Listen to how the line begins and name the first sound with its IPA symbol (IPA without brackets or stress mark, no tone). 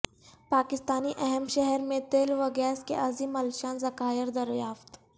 p